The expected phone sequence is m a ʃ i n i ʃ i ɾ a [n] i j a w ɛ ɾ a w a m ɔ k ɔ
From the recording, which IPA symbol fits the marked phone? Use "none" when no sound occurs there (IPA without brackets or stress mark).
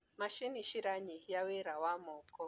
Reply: ɲ